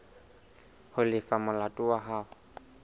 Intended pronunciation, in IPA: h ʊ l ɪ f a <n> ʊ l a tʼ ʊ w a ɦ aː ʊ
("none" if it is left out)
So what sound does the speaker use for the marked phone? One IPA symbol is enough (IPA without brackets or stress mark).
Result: m